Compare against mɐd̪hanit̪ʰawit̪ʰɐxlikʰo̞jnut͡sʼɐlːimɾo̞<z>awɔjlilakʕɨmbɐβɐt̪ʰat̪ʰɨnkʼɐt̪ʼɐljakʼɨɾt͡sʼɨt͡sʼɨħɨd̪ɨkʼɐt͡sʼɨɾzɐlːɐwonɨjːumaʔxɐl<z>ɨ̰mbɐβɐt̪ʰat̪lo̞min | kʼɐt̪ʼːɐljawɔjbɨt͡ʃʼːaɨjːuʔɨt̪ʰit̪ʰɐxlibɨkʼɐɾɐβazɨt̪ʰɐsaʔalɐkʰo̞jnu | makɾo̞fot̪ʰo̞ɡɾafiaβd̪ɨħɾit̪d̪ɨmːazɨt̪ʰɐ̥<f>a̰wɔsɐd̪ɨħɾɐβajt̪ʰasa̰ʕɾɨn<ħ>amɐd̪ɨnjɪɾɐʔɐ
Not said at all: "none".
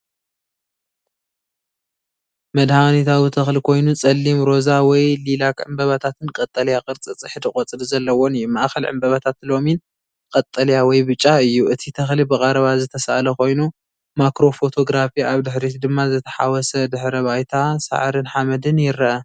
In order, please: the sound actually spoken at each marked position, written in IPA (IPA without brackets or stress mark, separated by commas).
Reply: z, ʕ, ħ, ħ